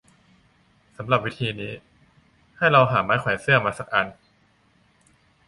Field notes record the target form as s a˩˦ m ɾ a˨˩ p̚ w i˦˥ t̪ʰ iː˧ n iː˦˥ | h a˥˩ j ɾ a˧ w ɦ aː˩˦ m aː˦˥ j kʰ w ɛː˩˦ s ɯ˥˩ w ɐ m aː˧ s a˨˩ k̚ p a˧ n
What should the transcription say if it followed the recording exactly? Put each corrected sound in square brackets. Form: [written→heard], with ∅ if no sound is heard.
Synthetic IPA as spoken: s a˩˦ m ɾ a˨˩ p̚ w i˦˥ t̪ʰ iː˧ n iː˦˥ | h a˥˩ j ɾ a˧ w ɦ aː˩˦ m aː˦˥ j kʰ w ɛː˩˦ s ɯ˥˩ [w→∅] ɐ m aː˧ s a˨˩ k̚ [p→ʔ] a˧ n